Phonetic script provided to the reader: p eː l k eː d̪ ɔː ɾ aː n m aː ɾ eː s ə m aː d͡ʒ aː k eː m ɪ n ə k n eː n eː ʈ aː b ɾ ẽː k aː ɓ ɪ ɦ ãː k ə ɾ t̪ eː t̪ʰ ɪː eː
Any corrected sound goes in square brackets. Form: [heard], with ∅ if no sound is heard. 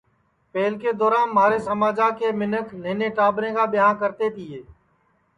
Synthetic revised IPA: p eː l k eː d̪ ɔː ɾ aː n m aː ɾ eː s ə m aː d͡ʒ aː k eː m ɪ n ə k n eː n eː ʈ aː b ɾ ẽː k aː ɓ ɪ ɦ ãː k ə ɾ t̪ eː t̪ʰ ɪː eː